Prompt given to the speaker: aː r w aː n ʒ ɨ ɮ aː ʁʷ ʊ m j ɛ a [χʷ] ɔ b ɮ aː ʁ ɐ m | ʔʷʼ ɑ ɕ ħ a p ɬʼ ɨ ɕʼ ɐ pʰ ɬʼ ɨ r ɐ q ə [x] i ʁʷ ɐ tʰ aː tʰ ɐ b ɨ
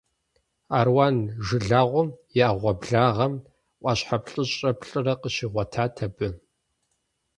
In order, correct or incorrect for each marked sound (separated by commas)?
incorrect, incorrect